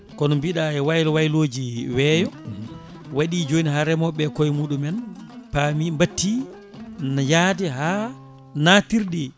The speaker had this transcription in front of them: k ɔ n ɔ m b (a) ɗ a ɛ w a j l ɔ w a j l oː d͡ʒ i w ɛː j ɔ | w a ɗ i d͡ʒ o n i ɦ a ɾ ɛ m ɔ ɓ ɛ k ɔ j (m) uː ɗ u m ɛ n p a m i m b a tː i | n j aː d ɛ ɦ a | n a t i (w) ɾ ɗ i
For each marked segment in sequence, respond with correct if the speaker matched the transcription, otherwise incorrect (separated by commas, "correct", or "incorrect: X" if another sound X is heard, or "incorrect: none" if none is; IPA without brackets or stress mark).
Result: incorrect: i, correct, incorrect: none